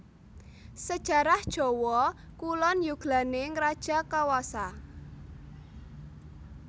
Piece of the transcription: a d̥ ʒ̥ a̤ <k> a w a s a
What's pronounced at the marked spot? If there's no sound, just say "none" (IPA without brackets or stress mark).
k